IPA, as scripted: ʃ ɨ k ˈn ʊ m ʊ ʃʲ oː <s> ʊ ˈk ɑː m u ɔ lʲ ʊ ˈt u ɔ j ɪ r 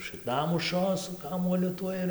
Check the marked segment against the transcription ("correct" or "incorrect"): correct